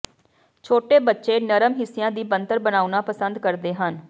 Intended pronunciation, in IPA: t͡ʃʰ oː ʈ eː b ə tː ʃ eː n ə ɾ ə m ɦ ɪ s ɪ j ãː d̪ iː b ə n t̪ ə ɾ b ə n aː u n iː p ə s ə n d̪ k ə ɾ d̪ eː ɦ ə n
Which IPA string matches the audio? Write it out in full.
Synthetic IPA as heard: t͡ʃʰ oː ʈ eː b ə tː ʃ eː n ə ɾ ə m ɦ ɪ s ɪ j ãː d̪ iː b ə n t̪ ə ɾ b ə n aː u n aː p ə s ə n d̪ k ə ɾ d̪ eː ɦ ə n